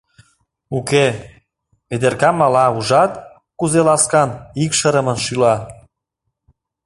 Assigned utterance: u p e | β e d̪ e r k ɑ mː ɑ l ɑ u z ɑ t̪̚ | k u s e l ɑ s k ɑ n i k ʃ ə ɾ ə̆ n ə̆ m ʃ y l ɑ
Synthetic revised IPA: u k e | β e d̪ e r k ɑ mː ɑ l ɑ u ʒ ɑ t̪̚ | k u z e l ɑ s k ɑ n i k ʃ ə ɾ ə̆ m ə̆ n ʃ y l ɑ